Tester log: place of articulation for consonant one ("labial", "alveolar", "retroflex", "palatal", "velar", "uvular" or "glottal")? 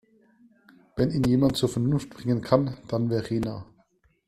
labial